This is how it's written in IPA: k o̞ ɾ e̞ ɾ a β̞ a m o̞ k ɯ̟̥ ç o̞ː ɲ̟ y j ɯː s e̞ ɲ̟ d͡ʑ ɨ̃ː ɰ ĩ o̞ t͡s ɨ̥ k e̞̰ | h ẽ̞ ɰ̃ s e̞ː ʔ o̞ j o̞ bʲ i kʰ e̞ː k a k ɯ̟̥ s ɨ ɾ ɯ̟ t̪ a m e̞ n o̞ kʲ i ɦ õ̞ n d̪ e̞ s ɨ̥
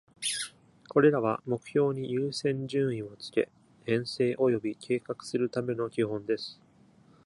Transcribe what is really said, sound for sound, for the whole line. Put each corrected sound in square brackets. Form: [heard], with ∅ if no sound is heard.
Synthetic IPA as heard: k o̞ ɾ e̞ ɾ a β̞ a m o̞ k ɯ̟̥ ç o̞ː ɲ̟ [i] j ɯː s [ẽ̞] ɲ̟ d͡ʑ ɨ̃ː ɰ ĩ o̞ t͡s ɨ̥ k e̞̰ | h ẽ̞ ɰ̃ s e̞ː ʔ o̞ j o̞ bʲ i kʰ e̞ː k a k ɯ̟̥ s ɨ ɾ ɯ̟ t̪ a m e̞ n o̞ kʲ i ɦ õ̞ n d̪ e̞ s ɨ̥

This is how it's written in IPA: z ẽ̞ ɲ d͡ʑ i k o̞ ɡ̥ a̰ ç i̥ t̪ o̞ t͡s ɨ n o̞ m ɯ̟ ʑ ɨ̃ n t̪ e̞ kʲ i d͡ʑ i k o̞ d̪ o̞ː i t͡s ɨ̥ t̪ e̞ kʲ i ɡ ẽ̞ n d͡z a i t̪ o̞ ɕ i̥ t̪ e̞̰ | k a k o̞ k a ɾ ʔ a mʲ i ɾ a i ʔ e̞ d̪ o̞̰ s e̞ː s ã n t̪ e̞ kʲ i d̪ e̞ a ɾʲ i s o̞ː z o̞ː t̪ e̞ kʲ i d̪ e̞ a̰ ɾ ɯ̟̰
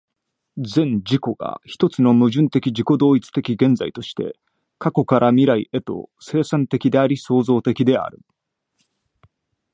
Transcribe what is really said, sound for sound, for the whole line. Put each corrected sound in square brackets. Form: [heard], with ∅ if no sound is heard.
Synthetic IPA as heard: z ẽ̞ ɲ d͡ʑ i k o̞ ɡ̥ a̰ ç i̥ t̪ o̞ t͡s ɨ n o̞ m ɯ̟ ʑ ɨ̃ n t̪ e̞ kʲ i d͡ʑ i k o̞ d̪ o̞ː i t͡s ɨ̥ t̪ e̞ kʲ i ɡ ẽ̞ n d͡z a i t̪ o̞ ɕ i̥ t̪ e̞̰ | k a k o̞ k a ɾ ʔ a mʲ i ɾ a i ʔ e̞ [t̪] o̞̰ s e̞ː s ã n t̪ e̞ kʲ i d̪ e̞ a ɾʲ i s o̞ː z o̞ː t̪ e̞ kʲ i d̪ e̞ a̰ ɾ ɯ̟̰

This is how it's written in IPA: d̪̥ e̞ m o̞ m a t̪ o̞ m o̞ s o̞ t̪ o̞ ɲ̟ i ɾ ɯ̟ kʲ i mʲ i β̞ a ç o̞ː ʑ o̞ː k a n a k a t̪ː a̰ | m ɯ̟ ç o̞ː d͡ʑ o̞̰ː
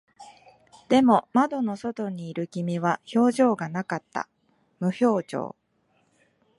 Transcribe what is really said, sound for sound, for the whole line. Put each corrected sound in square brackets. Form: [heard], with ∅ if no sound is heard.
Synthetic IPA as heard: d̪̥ e̞ m o̞ m a [d̪] o̞ [n] o̞ s o̞ t̪ o̞ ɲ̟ [iː] ɾ ɯ̟ kʲ i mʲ i β̞ a ç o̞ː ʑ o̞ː [ɡ] a n a k a t̪ː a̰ | m ɯ̟ ç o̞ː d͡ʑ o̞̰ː

